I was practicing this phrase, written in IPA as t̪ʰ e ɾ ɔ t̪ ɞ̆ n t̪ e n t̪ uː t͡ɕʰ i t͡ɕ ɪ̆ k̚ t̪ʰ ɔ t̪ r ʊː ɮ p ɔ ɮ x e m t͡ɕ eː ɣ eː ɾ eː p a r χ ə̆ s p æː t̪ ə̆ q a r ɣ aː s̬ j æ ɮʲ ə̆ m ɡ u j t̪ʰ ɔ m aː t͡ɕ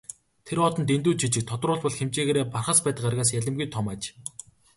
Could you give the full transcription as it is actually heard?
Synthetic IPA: t̪ʰ e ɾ ɔ t̪ ɞ̆ n t̪ e n t̪ uː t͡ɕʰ i t͡ɕ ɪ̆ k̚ t̪ʰ ɔ t̪ r ʊː ɮ p ɔ ɮ x e m t͡ɕ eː ɣ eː ɾ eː p a r χ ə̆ s p æː t̪ ə̆ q a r ɣ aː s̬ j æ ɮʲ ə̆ m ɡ u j t̪ʰ ɔ m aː t͡ɕ